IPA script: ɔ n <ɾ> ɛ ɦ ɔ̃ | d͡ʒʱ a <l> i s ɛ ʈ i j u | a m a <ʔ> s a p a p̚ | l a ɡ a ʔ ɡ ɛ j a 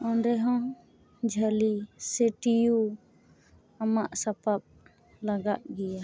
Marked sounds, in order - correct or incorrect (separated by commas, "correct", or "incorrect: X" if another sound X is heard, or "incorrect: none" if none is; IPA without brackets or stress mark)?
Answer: correct, correct, correct